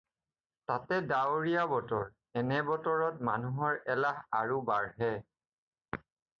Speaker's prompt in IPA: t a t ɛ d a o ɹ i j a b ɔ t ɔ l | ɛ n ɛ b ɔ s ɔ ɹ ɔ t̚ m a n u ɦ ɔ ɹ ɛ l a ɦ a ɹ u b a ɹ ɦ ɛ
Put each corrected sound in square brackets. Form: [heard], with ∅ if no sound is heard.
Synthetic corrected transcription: t a t ɛ d a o ɹ i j a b ɔ t ɔ [ɹ] | ɛ n ɛ b ɔ [t] ɔ ɹ ɔ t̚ m a n u ɦ ɔ ɹ ɛ l a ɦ a ɹ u b a ɹ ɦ ɛ